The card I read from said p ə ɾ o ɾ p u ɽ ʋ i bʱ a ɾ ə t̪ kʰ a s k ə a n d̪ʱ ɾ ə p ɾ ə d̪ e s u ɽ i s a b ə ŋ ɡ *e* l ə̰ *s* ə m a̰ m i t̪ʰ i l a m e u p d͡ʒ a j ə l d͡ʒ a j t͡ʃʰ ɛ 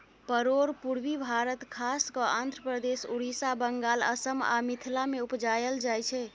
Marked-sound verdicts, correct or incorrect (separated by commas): incorrect, correct